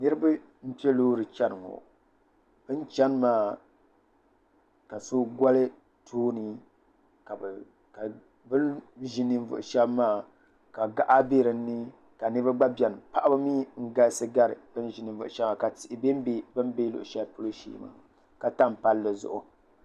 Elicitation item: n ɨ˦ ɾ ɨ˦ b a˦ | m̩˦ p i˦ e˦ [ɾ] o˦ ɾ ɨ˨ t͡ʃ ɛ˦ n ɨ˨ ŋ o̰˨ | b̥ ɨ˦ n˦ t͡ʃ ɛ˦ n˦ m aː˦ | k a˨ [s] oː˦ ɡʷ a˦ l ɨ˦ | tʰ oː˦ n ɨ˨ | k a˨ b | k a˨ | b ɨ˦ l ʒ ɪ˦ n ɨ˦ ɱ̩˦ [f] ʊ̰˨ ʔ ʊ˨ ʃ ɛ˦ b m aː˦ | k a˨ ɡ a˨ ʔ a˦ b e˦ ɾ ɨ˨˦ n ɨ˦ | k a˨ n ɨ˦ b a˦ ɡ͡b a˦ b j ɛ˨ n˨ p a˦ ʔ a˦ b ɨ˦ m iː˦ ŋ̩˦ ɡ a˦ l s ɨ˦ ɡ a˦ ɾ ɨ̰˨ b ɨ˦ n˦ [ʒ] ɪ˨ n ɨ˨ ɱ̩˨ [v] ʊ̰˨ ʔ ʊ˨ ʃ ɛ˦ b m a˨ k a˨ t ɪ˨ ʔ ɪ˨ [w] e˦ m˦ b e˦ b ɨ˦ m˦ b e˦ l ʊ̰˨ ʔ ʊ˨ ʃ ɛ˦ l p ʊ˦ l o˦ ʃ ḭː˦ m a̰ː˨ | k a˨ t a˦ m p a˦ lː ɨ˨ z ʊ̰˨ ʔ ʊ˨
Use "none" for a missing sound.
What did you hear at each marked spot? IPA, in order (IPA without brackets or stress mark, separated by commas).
l, s, v, ʒ, v, b